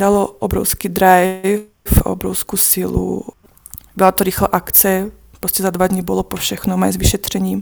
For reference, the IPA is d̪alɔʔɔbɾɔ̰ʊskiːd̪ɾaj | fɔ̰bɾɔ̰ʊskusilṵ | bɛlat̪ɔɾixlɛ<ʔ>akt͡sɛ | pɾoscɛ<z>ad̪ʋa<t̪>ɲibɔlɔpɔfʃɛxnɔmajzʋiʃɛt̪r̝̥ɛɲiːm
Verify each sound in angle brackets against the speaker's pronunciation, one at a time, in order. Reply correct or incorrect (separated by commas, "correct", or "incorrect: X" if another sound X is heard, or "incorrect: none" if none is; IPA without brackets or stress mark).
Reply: correct, correct, incorrect: d̪